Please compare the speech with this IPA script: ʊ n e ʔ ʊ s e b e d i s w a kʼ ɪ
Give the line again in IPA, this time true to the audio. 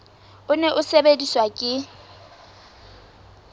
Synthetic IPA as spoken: ʊ n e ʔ ʊ s e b e d i s w a kʼ ɪ

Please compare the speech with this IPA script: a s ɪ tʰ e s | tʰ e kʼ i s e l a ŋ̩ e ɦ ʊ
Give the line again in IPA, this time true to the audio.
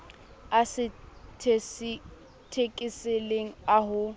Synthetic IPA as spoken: a s ɪ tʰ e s | tʰ e kʼ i s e l e ŋ̩ a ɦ ʊ

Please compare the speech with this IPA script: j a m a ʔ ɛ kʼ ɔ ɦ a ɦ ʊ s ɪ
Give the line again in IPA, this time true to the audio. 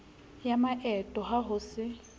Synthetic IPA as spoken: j a m a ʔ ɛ tʼ ɔ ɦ a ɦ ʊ s ɪ

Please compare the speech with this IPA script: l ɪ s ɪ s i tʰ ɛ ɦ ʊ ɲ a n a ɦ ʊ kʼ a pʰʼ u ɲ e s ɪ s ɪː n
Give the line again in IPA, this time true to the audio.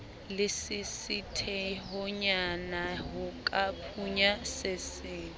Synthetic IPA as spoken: l ɪ s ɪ s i tʰ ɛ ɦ ʊ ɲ a n a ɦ ʊ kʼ a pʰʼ u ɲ a s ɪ s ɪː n

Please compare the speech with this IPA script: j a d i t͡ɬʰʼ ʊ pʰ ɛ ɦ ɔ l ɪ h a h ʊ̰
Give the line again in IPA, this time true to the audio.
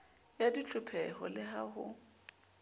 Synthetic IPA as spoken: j a d i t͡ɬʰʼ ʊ pʰ ɛ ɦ ɔ l ɪ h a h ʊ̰

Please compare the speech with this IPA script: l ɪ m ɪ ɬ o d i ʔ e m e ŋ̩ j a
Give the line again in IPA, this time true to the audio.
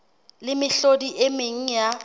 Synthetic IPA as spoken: l ɪ m ɪ ɬ o d i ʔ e m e ŋ̩ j a

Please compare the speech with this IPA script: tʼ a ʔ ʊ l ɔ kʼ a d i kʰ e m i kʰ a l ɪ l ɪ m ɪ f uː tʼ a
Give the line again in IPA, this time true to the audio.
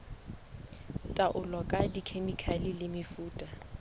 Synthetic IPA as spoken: tʼ a ʔ ʊ l ɔ kʼ a d i kʰ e m i kʰ a l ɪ l ɪ m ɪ f uː tʼ a

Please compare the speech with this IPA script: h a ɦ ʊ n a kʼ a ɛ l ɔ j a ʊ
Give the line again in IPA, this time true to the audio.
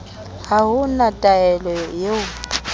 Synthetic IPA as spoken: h a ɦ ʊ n a tʼ a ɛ l ɔ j e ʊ

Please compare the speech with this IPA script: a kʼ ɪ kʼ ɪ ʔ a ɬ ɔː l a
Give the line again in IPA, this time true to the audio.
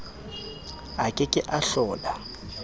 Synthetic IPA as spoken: a kʼ ɪ kʼ ɪ ʔ a ɬ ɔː l a

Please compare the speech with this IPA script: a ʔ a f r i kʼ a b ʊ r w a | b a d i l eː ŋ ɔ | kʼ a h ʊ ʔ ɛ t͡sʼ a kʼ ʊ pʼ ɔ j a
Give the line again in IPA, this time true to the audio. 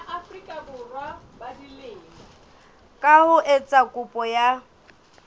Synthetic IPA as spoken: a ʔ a f r i kʼ a b ʊ r w a | b a d i l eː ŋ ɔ | kʼ a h ʊ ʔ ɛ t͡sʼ a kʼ ʊ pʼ ɔ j a

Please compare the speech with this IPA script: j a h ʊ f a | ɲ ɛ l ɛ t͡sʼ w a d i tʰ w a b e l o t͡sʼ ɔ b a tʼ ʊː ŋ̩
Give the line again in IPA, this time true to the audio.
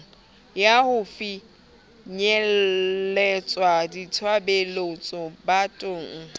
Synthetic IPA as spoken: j a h ʊ f i | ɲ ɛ l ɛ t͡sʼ w a d i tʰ w a b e l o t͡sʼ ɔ b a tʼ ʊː ŋ̩

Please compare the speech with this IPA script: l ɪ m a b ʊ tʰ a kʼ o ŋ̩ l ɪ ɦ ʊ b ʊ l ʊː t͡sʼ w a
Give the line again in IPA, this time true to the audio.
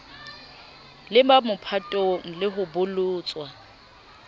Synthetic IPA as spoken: l ɪ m a m ʊ pʰ a tʼ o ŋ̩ l ɪ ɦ ʊ b ʊ l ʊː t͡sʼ w a

